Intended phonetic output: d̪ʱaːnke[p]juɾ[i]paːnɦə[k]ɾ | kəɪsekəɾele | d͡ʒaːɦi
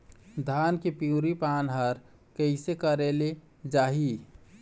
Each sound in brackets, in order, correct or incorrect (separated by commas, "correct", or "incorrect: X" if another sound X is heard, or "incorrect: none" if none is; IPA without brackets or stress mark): correct, correct, incorrect: none